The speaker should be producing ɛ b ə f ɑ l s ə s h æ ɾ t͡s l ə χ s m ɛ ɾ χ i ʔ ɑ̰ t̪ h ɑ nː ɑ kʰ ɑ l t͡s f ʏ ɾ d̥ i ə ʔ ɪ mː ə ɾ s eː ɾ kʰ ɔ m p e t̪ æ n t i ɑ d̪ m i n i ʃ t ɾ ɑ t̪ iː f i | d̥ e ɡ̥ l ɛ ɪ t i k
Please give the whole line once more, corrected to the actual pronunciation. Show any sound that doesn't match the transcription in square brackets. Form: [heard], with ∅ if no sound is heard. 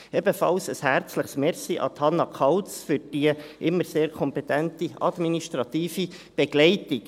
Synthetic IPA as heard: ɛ b ə f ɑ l s ə s h æ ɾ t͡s l ə χ s m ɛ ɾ [s] i ʔ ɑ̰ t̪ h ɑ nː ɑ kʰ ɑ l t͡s f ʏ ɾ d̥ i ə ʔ ɪ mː ə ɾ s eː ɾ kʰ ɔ m p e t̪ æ n t i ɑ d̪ m i n i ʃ t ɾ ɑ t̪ iː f i | [b̥] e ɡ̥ l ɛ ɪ t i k